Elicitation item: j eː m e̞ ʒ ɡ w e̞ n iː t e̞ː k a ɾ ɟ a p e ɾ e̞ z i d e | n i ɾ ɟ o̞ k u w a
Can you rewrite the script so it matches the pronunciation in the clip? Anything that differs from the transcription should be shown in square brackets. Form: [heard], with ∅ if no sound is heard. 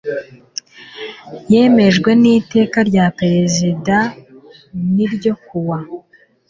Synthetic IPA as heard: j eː m e̞ ʒ ɡ w e̞ n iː t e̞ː k a ɾ ɟ a p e ɾ e̞ z i d [a] | n i ɾ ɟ o̞ k u w a